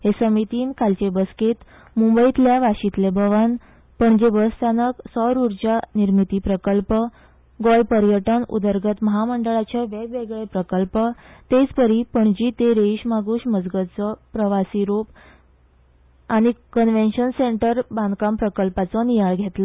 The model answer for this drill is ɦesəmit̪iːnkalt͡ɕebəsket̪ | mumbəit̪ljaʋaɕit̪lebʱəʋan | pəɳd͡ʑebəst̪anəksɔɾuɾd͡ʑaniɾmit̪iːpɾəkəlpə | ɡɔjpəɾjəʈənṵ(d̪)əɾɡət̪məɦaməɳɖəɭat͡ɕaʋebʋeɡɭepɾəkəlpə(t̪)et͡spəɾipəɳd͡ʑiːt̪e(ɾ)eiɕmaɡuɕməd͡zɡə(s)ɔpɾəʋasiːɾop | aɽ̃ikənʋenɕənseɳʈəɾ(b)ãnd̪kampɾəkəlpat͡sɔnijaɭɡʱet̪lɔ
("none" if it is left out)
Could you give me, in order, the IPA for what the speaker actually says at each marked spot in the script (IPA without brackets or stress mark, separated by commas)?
d̪, t̪, ɾ, t͡s, b